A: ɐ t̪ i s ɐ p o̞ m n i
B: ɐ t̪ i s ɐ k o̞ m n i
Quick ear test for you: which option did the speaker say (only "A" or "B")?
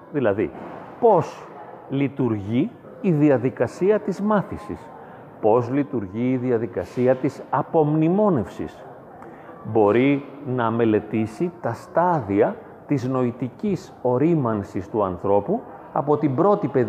A